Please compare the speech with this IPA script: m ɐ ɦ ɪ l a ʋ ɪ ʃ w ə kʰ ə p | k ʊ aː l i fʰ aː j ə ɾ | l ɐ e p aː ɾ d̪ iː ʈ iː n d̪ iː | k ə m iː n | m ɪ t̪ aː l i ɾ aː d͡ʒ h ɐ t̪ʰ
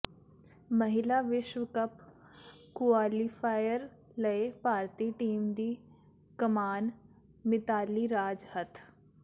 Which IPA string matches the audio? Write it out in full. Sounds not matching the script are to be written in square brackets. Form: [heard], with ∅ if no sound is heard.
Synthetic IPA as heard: m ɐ ɦ ɪ l a ʋ ɪ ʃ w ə [k] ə p | k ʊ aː l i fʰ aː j ə ɾ | l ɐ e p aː ɾ [t̪] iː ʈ iː [m] d̪ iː | k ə m [aː] n | m ɪ t̪ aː l i ɾ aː d͡ʒ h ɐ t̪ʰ